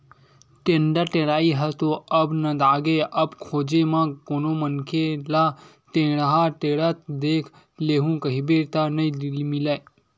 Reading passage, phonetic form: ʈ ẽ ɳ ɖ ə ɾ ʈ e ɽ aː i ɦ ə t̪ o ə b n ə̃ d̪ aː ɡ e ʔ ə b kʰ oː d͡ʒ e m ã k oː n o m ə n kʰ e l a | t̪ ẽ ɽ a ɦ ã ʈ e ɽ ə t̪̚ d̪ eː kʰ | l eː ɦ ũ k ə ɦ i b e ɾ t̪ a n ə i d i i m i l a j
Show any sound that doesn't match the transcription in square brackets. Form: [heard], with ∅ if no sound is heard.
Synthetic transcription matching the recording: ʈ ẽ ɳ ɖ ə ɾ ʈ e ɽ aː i ɦ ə t̪ o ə b n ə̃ d̪ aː ɡ e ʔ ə b kʰ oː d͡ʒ e m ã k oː n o m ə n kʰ e l a | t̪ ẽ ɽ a ɦ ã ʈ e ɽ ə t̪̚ d̪ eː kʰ | l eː ɦ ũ k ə ɦ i b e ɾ t̪ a n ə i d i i m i l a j